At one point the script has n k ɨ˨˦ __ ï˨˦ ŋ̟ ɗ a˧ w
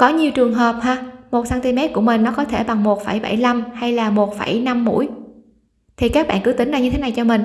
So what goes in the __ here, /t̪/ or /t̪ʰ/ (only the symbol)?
t̪